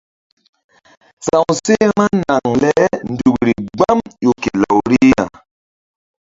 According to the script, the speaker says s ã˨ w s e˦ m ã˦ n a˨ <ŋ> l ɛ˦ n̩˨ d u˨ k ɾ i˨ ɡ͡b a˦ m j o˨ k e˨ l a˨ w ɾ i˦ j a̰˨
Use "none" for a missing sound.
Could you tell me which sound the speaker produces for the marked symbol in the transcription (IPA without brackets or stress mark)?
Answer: ŋ